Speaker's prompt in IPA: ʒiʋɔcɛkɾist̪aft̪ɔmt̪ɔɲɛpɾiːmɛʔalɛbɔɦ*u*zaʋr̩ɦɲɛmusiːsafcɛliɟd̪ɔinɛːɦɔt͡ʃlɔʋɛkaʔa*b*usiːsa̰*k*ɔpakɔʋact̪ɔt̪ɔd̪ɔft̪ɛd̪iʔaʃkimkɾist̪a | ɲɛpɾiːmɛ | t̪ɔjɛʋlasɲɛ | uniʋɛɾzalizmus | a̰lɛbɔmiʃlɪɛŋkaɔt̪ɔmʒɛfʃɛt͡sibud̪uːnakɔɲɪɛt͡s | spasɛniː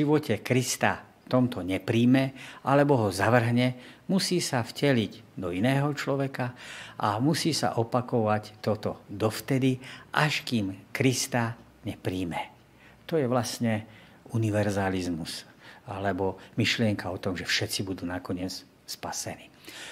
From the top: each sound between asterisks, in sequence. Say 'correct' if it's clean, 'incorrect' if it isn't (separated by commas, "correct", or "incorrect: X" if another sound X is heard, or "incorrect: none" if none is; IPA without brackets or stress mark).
incorrect: ɔ, incorrect: m, incorrect: ʔ